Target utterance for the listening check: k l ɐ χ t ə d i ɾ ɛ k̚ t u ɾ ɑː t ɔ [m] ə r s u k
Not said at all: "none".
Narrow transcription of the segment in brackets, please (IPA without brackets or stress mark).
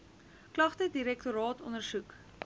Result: n